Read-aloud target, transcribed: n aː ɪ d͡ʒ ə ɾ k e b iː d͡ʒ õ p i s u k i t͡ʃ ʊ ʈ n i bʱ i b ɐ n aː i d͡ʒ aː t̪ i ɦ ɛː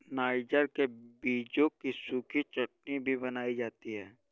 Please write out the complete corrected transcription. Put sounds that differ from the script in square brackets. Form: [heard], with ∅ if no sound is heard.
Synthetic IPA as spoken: n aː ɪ d͡ʒ ə ɾ k e b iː d͡ʒ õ [k] i s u k i t͡ʃ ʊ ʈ n i bʱ i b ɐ n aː i d͡ʒ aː t̪ i ɦ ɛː